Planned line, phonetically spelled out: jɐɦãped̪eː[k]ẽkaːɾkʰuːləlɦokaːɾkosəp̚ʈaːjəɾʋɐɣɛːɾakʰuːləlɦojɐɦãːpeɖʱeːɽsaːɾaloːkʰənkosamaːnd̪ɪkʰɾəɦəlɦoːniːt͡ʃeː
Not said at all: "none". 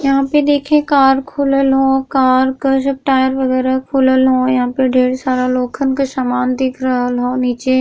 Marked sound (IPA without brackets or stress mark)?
kʰ